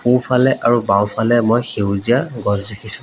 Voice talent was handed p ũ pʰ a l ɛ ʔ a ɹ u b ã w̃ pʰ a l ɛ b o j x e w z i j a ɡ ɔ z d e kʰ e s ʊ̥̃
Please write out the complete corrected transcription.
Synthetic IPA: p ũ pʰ a l ɛ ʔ a ɹ u b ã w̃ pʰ a l ɛ m o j x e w z i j a ɡ ɔ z d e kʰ i s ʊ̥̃